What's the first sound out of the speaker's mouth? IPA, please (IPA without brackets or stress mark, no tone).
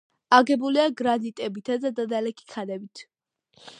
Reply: a